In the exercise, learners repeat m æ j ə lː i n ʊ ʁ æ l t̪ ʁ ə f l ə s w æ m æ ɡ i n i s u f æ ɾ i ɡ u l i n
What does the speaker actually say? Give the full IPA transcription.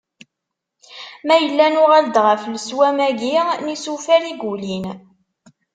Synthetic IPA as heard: m æ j ə lː æ n ʊ ʁ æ l d̪ ʁ ə f l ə s w æ m æ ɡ i n i s u f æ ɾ i ɡ u l i n